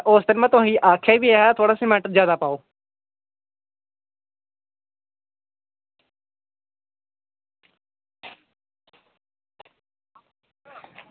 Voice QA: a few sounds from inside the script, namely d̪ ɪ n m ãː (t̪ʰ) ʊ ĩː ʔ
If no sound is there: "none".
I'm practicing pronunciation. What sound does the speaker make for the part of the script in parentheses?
t̪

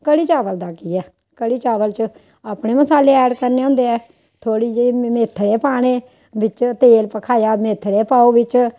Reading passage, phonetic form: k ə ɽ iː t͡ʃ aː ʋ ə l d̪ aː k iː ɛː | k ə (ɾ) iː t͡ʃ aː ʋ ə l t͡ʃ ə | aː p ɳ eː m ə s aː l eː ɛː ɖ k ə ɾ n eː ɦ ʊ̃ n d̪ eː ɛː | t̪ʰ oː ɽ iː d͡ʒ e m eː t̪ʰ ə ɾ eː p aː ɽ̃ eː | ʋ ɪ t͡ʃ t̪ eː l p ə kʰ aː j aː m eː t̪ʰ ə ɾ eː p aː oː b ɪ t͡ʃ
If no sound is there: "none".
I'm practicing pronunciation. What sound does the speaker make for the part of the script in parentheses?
ɽ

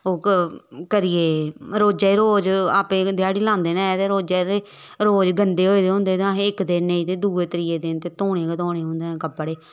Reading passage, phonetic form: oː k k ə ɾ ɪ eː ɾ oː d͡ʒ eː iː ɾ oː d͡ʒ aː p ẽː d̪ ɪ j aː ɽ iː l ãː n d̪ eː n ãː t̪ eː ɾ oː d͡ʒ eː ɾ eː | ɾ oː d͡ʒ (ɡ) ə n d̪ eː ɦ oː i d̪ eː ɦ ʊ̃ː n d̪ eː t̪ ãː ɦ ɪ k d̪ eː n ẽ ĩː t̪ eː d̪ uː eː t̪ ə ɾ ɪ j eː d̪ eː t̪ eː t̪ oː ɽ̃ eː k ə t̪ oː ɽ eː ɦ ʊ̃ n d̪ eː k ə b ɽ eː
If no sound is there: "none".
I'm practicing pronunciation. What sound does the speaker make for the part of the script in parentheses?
ɡ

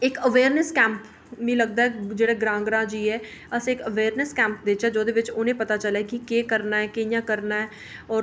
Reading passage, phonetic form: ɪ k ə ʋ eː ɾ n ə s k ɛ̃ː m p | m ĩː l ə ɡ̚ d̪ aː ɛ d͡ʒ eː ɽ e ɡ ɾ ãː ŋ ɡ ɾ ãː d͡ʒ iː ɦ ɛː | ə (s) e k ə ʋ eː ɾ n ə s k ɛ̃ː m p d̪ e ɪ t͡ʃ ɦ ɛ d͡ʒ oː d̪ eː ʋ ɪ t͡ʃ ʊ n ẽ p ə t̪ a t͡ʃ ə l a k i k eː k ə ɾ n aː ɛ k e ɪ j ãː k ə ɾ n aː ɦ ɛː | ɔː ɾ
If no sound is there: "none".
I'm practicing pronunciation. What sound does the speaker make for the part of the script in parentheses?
s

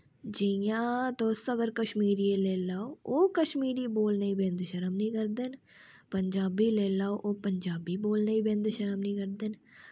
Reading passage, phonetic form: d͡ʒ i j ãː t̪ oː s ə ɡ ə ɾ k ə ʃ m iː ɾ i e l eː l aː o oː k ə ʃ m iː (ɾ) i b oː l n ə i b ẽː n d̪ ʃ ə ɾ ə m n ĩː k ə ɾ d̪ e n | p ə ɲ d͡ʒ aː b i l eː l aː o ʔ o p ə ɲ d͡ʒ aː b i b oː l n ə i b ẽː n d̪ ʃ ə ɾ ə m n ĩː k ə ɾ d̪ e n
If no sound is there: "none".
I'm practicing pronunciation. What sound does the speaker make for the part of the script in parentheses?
ɾ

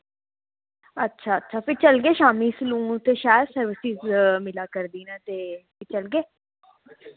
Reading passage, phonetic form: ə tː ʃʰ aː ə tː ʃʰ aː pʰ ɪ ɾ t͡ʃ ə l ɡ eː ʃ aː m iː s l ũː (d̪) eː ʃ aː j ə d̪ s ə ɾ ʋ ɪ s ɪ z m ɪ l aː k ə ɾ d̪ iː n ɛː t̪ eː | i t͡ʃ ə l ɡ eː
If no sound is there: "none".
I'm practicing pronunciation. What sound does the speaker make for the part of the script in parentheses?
t̪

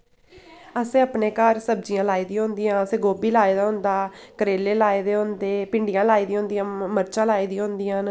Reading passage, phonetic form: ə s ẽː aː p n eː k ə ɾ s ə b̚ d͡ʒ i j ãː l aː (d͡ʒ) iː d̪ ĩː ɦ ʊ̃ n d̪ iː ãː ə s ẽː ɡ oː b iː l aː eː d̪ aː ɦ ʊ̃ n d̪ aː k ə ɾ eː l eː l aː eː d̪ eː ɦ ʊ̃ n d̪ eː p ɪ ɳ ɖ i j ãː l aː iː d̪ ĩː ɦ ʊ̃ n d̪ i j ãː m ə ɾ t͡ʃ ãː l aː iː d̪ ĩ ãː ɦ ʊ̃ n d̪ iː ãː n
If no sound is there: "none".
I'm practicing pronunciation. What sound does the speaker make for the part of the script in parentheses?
none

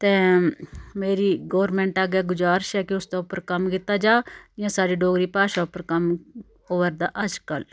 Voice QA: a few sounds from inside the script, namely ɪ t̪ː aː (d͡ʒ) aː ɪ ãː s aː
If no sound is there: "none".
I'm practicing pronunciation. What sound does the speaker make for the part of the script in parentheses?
d͡ʒ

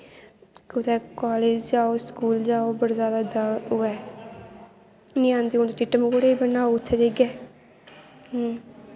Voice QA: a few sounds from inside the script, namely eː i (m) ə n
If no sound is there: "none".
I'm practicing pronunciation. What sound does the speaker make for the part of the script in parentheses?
b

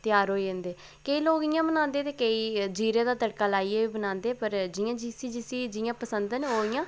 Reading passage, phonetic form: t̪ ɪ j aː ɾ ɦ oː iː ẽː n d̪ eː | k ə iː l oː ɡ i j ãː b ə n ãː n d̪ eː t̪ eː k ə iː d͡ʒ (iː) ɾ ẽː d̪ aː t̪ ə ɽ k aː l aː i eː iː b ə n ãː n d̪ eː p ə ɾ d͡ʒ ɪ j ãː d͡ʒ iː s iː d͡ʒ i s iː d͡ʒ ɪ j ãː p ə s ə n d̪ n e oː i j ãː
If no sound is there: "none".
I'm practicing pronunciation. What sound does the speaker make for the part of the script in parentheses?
iː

